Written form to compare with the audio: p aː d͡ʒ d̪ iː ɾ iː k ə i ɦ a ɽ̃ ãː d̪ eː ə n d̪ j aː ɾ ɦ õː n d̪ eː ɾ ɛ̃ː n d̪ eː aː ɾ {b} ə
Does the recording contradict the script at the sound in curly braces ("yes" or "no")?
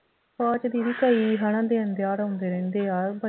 no